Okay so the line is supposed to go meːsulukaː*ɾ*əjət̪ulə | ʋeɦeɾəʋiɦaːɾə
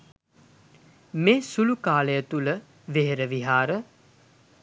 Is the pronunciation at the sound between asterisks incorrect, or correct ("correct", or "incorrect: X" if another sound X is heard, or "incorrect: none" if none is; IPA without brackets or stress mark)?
incorrect: l